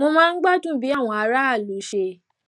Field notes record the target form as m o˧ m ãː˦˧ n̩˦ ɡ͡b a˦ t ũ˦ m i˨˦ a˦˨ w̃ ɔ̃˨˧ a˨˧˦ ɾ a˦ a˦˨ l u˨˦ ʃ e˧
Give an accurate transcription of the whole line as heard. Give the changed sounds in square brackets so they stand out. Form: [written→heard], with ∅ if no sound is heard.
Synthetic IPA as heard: m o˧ m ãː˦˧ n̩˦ ɡ͡b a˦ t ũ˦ [m→b] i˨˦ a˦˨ w̃ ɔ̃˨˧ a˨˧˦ ɾ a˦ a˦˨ l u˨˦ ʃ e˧